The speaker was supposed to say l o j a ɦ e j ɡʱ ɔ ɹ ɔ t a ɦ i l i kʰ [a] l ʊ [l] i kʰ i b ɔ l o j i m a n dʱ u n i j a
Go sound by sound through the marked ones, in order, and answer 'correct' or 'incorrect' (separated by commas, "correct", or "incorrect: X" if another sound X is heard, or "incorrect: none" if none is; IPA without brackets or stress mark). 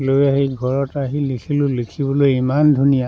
incorrect: i, correct